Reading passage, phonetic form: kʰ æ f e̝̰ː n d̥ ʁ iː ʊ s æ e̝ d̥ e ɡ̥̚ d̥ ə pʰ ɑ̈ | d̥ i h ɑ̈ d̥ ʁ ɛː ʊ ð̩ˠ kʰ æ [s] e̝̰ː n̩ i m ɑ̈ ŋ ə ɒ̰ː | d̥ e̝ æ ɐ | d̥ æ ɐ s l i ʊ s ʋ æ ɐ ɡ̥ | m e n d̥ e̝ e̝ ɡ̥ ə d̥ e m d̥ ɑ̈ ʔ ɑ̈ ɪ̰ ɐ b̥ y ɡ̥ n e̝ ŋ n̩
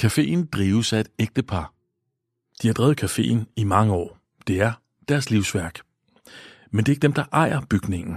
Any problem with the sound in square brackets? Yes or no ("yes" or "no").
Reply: yes